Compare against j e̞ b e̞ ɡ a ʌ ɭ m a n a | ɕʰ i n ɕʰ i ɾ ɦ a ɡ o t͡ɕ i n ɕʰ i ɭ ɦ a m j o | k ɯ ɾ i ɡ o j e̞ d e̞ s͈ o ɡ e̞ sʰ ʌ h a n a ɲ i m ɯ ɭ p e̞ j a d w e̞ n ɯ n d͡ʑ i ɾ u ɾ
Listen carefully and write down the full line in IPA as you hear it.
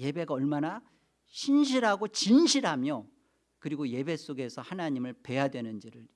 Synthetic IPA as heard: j e̞ b e̞ ɡ a ʌ ɭ m a n a | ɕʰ i n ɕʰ i ɾ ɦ a ɡ o t͡ɕ i n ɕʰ i ɾ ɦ a m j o | k ɯ ɾ i ɡ o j e̞ b e̞ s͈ o ɡ e̞ sʰ ʌ h a n a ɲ i m ɯ ɭ p e̞ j a d w e̞ n ɯ n d͡ʑ i ɾ ɯ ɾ